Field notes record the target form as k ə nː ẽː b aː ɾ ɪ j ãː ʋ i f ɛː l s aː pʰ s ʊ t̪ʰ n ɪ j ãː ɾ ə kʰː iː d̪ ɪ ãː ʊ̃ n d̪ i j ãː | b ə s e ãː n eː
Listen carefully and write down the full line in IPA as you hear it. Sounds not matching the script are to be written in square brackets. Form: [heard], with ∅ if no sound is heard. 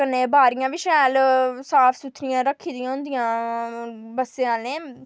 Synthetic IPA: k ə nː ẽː b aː ɾ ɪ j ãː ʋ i [ʃ] ɛː l s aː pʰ s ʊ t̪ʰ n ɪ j ãː ɾ ə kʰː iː d̪ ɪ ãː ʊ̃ n d̪ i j ãː | b ə s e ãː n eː

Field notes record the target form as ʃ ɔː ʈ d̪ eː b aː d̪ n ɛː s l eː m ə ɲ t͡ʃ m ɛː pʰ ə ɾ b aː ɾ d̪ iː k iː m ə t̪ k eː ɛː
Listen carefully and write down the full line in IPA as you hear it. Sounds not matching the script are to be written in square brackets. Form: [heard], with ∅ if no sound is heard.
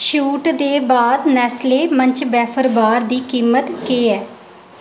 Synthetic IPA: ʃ [uː] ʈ d̪ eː b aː d̪ n ɛː s l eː m ə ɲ t͡ʃ [b] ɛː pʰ ə ɾ b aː ɾ d̪ iː k iː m ə t̪ k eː ɛː

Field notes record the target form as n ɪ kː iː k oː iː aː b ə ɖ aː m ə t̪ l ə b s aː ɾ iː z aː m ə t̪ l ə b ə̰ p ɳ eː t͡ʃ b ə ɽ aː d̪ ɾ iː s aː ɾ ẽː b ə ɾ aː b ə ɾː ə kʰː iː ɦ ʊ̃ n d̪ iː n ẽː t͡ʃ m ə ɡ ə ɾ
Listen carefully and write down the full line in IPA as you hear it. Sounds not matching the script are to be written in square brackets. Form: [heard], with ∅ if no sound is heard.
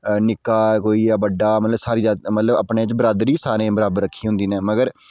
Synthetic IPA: n ɪ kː [aː] k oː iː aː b ə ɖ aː m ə t̪ l ə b s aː ɾ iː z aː m ə t̪ l ə b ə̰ p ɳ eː t͡ʃ b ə [ɾ] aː d̪ ɾ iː s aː ɾ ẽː b ə ɾ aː b ə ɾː ə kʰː iː ɦ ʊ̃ n d̪ iː n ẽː [∅] m ə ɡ ə ɾ

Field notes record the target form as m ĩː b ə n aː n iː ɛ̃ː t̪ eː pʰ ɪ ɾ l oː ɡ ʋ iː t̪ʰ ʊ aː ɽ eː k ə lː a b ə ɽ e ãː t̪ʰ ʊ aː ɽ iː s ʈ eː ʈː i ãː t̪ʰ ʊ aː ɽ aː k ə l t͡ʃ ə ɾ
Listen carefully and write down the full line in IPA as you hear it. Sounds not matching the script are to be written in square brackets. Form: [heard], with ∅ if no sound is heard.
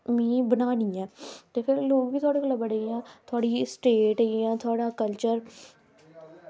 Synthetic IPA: m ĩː b ə n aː n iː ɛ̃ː t̪ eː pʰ ɪ ɾ l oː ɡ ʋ iː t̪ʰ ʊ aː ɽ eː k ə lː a b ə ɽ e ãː t̪ʰ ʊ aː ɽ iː s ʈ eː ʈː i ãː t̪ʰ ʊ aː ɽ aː k ə l t͡ʃ ə ɾ

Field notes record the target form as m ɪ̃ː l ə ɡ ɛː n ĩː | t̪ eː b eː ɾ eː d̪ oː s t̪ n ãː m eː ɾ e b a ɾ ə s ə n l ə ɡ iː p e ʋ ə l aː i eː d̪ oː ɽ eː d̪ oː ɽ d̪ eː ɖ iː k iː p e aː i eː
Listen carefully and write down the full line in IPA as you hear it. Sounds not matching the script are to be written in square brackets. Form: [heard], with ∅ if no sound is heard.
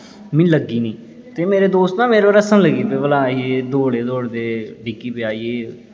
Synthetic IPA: m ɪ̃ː l ə ɡ [iː] n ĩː | t̪ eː [m] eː ɾ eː d̪ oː s t̪ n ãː m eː ɾ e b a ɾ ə s ə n l ə ɡ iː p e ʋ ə l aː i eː d̪ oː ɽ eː d̪ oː ɽ d̪ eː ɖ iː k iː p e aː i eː

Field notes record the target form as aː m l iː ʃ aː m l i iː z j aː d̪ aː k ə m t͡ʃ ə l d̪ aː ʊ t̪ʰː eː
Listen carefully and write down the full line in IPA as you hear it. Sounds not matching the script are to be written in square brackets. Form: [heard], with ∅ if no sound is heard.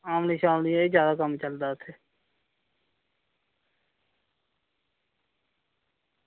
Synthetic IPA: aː m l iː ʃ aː m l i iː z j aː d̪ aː k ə m t͡ʃ ə l d̪ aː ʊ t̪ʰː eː

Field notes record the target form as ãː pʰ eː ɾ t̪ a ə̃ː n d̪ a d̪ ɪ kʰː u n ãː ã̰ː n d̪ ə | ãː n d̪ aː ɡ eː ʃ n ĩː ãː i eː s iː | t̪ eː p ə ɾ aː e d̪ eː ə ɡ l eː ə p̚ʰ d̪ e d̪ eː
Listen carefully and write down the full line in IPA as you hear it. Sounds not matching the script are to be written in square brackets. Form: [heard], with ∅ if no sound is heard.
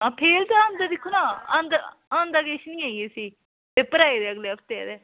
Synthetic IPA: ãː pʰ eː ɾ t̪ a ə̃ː n d̪ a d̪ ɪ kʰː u n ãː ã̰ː n d̪ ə | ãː n d̪ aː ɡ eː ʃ n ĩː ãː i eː s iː | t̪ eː p ə ɾ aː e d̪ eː ə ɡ l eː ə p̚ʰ [t̪] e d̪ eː

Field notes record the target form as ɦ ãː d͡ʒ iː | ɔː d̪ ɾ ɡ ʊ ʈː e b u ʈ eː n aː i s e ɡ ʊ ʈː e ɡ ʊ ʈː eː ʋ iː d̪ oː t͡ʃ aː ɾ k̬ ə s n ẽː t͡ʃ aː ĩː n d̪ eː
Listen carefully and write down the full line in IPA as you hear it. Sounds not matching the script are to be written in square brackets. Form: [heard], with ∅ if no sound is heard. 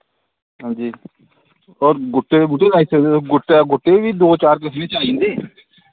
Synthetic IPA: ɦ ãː d͡ʒ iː | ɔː [∅] ɾ ɡ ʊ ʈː e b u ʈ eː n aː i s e ɡ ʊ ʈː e ɡ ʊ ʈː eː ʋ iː d̪ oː t͡ʃ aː ɾ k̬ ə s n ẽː t͡ʃ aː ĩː n d̪ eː

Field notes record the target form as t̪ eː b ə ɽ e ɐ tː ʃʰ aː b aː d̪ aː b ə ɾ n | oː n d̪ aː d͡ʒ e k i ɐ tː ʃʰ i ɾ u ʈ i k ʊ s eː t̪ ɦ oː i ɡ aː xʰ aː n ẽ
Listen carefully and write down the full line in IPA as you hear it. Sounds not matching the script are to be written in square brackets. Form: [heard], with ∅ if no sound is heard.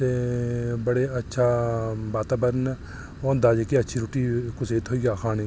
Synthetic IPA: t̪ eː b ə ɽ e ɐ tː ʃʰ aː b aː [t̪] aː b ə ɾ n | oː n d̪ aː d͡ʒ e k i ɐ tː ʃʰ i ɾ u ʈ i k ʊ s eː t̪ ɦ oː i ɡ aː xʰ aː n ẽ

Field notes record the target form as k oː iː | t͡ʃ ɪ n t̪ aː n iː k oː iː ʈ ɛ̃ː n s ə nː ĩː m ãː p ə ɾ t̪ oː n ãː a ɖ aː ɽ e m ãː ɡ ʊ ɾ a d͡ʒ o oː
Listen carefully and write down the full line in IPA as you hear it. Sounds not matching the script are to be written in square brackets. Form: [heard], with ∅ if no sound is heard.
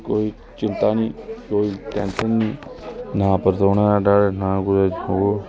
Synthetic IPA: k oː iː | t͡ʃ ɪ n t̪ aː n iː k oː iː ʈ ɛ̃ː n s ə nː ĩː [n] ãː p ə ɾ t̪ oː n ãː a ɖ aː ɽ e [n] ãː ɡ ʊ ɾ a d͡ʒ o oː

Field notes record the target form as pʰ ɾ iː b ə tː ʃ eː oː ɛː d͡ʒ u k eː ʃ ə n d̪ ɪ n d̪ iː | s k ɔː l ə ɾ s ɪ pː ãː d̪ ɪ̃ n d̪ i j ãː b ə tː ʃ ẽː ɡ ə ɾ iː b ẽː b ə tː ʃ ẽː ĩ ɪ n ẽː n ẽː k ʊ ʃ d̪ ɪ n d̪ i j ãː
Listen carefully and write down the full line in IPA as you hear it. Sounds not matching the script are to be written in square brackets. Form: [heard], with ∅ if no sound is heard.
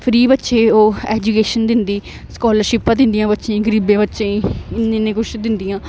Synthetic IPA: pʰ ɾ iː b ə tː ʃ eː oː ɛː d͡ʒ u k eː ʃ ə n d̪ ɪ n d̪ iː | s k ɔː l ə ɾ [ʃ] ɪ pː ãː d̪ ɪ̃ n d̪ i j ãː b ə tː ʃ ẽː ɡ ə ɾ iː b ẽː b ə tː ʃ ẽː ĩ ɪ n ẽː n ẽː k ʊ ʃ d̪ ɪ n d̪ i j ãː

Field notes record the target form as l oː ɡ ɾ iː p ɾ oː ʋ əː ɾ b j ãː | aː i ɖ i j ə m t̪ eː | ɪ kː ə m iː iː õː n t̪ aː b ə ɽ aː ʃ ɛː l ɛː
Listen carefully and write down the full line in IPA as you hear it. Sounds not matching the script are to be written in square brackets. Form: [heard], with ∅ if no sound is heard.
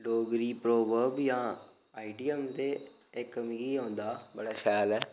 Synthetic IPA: l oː ɡ ɾ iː p ɾ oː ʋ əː ɾ b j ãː | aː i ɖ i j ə m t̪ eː | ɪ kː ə m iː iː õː n [d̪] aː b ə ɽ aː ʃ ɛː l ɛː

